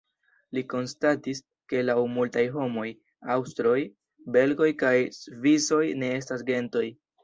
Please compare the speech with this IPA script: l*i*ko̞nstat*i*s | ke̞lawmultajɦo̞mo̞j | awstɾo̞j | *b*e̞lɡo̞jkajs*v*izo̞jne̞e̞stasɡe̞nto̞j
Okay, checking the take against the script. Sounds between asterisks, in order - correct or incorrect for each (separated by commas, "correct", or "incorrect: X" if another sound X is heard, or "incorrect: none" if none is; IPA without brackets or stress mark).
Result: correct, correct, correct, correct